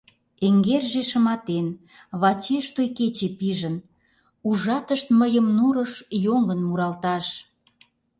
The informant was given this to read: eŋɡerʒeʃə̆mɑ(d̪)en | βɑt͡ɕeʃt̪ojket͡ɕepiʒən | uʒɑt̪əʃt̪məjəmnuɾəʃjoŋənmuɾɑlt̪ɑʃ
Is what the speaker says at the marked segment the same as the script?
no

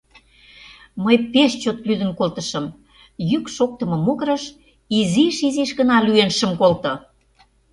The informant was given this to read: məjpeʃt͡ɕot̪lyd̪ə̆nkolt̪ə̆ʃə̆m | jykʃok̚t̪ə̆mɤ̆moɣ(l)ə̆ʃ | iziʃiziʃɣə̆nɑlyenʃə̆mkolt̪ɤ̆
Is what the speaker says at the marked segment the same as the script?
no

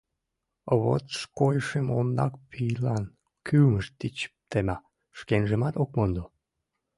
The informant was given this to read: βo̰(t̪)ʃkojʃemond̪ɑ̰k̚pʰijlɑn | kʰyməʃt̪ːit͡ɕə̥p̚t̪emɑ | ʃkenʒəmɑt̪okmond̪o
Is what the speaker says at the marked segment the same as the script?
yes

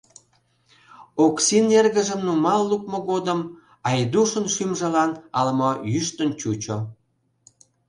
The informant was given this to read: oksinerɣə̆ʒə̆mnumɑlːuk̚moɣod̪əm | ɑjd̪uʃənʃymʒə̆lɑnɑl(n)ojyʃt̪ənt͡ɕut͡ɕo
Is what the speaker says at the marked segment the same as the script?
no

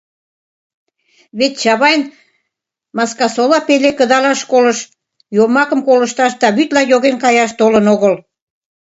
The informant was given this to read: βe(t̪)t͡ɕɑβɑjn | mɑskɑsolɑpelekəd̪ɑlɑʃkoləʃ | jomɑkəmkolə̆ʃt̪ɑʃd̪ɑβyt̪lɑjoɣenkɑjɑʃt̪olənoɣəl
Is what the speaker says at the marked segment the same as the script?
yes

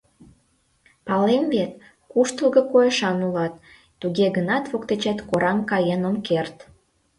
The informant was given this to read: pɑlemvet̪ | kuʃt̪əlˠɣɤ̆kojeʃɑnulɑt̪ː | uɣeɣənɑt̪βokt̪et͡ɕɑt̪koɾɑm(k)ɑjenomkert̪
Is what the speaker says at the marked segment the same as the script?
yes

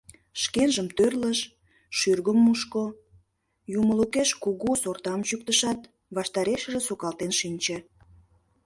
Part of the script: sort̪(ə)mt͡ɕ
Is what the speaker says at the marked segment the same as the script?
no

